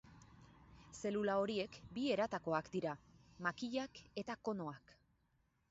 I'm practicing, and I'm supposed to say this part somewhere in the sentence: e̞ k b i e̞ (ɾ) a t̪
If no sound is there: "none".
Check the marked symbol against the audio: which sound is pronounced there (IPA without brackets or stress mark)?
ɾ